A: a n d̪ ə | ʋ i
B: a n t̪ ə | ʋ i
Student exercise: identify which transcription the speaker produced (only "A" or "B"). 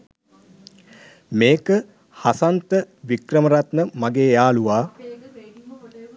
B